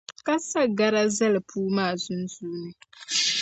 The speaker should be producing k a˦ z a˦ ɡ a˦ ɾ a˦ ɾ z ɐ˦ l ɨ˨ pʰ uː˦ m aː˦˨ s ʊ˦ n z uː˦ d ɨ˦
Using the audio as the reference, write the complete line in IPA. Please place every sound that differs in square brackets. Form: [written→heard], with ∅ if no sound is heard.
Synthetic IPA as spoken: k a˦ [z→s] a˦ ɡ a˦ ɾ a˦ [ɾ→∅] z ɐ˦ l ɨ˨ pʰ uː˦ m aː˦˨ [s→z] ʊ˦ n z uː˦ [d→n] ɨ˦